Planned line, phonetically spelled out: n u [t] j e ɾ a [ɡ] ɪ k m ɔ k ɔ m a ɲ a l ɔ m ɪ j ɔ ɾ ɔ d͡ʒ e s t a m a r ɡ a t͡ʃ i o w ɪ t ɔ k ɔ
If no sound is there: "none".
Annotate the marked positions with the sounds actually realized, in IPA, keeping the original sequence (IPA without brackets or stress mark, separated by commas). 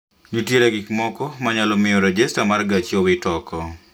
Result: t, ɡ